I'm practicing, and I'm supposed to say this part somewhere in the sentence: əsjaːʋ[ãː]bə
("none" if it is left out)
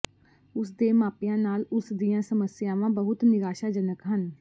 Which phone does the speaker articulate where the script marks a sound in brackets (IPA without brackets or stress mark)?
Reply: ãː